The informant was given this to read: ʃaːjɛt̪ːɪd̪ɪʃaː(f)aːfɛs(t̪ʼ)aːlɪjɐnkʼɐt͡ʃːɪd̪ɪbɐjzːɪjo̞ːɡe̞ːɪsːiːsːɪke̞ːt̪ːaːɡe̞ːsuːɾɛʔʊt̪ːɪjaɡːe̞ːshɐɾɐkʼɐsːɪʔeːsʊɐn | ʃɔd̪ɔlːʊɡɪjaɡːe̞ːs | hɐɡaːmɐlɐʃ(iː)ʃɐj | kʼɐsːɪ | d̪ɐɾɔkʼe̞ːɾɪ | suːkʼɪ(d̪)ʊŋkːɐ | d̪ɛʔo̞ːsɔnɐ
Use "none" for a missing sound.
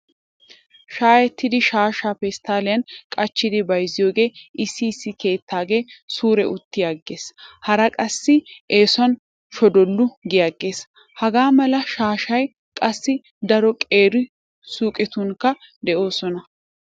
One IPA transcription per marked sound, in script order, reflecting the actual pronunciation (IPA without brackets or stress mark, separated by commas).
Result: ʃ, t̪, aː, t̪